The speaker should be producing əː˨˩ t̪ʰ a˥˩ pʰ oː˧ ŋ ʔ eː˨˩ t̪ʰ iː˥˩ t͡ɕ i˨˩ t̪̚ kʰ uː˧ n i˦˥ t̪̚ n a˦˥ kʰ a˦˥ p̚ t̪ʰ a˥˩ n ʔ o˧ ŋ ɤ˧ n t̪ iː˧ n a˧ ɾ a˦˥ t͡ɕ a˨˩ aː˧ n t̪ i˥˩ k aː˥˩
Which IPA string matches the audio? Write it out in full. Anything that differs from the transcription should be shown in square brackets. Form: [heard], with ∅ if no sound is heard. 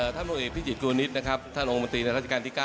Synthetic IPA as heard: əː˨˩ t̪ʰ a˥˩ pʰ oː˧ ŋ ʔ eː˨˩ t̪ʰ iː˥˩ t͡ɕ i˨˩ t̪̚ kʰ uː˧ n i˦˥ t̪̚ n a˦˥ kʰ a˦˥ p̚ t̪ʰ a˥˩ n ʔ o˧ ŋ [o˧] n t̪ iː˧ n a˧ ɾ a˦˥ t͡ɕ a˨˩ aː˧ n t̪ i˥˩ k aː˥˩